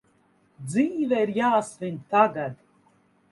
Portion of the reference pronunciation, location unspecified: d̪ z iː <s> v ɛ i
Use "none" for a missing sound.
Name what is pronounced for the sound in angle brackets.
none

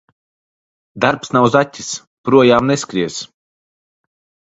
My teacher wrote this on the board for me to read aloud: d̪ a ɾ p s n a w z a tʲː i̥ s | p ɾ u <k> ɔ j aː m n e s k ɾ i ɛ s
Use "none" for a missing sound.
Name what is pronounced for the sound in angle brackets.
none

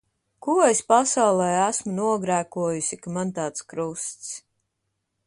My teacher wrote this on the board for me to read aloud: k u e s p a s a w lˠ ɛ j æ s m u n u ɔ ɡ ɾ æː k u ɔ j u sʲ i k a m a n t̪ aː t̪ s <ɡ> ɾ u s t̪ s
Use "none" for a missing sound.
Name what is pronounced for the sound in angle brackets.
k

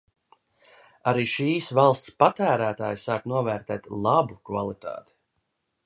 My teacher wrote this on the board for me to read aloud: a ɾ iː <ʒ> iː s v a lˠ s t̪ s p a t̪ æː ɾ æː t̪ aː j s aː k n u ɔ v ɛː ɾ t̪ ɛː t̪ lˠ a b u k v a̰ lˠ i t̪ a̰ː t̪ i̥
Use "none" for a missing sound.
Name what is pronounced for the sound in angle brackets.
ʃ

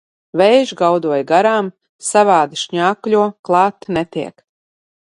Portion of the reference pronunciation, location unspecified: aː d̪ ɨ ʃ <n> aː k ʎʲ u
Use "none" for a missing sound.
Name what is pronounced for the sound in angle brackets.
ɲ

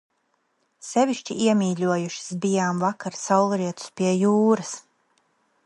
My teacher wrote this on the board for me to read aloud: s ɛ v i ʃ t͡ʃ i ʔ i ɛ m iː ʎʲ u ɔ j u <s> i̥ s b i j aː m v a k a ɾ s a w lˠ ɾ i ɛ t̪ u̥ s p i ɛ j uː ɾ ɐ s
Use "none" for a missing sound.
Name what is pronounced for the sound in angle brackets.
ʃ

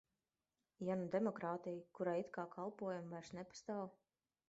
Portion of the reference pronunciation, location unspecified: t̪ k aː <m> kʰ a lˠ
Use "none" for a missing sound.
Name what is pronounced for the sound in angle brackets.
none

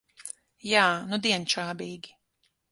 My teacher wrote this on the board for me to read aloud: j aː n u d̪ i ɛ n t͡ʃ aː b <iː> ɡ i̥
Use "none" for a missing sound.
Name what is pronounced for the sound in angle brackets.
iː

